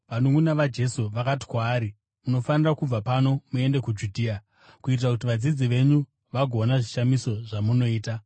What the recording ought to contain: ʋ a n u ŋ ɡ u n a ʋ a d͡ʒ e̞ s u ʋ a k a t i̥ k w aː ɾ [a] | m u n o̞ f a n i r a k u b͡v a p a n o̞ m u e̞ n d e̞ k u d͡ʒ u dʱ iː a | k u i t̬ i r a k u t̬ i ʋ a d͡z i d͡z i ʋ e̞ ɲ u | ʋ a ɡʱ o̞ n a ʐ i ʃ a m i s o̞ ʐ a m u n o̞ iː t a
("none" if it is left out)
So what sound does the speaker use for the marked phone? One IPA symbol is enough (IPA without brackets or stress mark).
i